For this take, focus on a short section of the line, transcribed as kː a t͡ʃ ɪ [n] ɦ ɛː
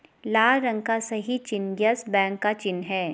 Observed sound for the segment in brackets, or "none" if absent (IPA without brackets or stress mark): n